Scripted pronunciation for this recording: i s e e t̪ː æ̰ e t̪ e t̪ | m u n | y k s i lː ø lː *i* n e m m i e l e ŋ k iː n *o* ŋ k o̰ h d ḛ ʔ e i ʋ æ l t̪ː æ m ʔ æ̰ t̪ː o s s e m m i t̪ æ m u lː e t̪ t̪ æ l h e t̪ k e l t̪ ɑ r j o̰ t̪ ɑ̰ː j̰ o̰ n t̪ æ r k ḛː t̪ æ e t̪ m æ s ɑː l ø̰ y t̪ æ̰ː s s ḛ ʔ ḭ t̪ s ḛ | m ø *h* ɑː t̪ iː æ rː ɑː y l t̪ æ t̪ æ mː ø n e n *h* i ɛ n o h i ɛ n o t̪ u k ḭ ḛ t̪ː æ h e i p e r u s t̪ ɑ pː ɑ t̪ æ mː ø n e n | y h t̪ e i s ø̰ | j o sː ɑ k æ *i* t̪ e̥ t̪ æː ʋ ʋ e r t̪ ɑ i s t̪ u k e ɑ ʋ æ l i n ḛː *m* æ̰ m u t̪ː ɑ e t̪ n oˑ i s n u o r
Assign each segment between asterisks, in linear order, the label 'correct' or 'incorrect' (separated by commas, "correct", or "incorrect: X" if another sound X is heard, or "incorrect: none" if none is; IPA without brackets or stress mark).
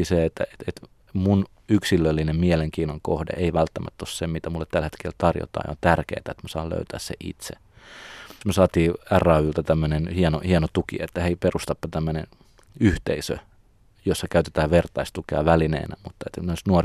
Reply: correct, correct, incorrect: s, correct, incorrect: y, incorrect: n